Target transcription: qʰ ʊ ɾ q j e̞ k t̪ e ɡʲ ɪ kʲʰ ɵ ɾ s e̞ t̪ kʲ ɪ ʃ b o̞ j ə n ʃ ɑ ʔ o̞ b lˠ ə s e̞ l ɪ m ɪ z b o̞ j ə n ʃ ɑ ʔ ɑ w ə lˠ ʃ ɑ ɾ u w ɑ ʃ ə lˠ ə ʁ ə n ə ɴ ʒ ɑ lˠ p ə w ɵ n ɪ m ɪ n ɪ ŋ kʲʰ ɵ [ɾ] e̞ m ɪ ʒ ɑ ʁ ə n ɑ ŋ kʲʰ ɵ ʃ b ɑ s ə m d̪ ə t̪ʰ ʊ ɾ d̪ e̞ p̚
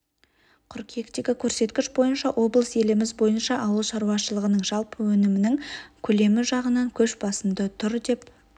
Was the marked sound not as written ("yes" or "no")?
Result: yes